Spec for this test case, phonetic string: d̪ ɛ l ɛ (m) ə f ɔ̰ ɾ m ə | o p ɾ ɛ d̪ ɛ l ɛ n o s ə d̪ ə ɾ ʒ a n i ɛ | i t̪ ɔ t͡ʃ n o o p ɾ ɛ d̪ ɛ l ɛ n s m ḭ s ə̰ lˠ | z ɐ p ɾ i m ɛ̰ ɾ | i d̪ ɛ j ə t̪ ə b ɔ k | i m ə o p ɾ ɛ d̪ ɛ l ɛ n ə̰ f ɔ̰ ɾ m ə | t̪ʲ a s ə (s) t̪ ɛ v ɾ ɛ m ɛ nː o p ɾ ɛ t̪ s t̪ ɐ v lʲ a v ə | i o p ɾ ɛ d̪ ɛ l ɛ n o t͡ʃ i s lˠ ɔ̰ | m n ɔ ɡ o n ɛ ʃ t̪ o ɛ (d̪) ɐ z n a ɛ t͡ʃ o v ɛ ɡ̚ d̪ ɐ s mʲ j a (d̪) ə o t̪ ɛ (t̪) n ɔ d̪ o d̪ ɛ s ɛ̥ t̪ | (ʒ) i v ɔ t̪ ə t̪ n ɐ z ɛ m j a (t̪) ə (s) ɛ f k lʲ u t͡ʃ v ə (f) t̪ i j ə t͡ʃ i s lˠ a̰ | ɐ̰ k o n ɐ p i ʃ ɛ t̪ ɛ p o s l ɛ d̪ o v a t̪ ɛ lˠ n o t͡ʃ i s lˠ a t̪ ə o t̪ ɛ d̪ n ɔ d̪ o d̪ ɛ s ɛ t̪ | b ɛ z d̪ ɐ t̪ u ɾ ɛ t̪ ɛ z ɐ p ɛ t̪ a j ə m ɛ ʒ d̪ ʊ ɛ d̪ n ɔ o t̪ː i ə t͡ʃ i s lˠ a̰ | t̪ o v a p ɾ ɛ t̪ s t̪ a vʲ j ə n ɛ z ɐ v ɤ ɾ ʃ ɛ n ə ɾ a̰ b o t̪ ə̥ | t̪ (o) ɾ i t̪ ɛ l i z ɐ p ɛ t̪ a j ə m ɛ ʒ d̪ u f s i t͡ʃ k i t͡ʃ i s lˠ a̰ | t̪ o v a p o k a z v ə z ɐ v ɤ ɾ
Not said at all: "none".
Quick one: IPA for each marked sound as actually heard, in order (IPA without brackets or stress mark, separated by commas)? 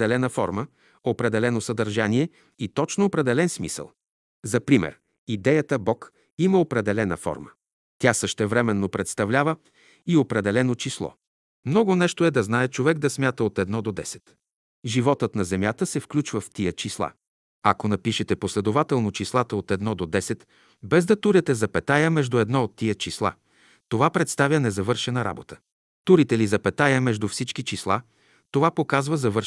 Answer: n, ʃ, d̪, t̪, d̪, ʒ, t̪, s, f, u